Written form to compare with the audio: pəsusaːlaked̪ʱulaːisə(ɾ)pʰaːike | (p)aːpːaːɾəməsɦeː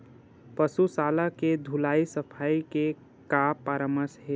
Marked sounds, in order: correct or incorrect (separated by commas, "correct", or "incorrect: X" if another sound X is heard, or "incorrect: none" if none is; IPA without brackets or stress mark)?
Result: incorrect: none, incorrect: k